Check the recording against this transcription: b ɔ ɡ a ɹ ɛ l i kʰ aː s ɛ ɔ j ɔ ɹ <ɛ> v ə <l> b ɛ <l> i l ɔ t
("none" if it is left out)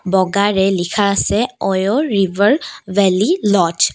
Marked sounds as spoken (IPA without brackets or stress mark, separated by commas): i, ɹ, l